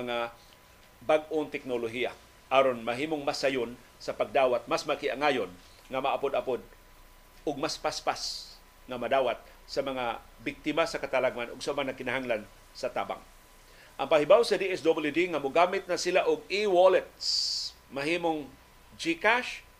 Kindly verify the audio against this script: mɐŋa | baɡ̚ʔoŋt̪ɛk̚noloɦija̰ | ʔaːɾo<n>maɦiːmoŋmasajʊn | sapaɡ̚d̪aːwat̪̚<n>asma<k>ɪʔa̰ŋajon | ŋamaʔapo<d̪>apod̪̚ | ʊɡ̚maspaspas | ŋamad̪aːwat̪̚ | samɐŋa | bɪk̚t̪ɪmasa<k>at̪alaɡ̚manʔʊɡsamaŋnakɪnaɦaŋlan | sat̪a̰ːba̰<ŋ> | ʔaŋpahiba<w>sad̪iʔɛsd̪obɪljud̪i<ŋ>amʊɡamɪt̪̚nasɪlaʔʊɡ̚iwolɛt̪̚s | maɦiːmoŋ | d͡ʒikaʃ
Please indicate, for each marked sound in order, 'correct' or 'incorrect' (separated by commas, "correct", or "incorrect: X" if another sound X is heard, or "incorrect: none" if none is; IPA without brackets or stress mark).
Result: correct, incorrect: m, correct, correct, correct, correct, correct, correct